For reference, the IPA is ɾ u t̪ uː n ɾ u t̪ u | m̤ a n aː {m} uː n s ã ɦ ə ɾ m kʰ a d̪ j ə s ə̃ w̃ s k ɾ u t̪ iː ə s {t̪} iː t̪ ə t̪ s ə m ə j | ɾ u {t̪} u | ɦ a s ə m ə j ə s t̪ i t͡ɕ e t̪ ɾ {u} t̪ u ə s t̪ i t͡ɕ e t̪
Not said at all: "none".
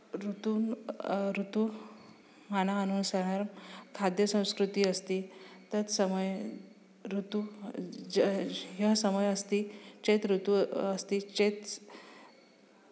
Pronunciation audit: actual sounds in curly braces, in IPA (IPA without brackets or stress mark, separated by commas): n, t̪, t̪, u